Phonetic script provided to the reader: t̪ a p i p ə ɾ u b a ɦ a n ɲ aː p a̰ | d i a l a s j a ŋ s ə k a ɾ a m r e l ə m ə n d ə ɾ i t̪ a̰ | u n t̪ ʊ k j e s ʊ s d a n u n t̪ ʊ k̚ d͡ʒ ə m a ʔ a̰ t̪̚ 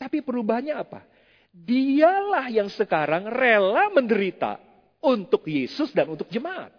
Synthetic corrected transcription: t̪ a p i p ə ɾ u b a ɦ a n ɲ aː p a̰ | d i a l a h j a ŋ s ə k a ɾ a ŋ r e l a m ə n d ə ɾ i t̪ a̰ | u n t̪ ʊ k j e s ʊ s d a n u n t̪ ʊ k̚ d͡ʒ ə m a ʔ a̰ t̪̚